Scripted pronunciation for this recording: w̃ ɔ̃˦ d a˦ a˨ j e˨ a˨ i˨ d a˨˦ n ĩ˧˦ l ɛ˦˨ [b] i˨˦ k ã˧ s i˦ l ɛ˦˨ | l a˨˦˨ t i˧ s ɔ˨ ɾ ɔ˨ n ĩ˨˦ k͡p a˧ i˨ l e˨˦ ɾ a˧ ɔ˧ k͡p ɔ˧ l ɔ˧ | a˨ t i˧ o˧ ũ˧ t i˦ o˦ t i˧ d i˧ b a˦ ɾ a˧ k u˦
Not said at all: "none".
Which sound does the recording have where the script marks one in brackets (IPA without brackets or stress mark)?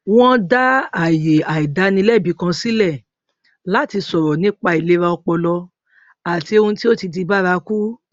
b